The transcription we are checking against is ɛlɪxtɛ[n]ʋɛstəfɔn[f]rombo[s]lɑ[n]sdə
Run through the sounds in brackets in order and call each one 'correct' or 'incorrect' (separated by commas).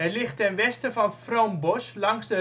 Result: correct, correct, correct, incorrect